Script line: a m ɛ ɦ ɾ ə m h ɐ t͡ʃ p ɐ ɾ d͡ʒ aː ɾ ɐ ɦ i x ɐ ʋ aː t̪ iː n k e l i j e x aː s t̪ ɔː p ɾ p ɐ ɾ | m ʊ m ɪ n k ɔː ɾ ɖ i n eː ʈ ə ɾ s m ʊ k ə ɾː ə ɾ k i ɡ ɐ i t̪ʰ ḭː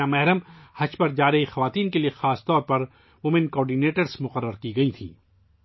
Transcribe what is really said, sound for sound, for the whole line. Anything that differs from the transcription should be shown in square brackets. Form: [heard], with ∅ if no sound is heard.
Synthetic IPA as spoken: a m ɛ ɦ ɾ ə m h ɐ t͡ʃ p ɐ ɾ d͡ʒ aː ɾ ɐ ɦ i x ɐ ʋ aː t̪ iː n k e l i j e x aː s t̪ ɔː [∅] ɾ p ɐ ɾ | m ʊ m ɪ n k ɔː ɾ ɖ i n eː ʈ ə ɾ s m ʊ [q] ə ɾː ə ɾ k i ɡ ɐ i t̪ʰ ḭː